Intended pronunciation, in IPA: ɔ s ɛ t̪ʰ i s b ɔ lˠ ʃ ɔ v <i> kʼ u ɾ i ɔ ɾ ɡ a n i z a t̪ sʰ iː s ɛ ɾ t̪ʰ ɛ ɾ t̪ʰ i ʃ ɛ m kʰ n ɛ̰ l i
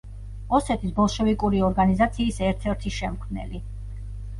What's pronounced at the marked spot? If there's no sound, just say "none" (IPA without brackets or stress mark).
i